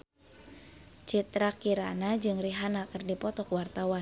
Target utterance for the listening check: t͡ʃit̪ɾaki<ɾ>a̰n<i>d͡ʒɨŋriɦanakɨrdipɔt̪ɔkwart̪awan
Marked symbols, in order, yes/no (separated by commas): yes, no